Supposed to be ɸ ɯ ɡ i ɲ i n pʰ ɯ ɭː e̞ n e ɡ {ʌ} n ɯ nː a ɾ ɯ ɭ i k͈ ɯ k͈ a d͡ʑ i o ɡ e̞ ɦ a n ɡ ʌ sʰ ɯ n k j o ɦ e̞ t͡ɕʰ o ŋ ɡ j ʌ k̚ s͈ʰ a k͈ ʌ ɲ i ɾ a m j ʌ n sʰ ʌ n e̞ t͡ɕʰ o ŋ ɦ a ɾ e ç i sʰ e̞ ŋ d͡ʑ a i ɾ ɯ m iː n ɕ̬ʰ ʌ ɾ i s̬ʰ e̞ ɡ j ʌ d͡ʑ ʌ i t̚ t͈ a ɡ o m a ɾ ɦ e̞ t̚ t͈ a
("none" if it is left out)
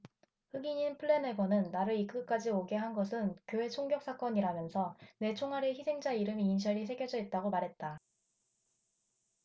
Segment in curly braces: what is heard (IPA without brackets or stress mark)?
ʌ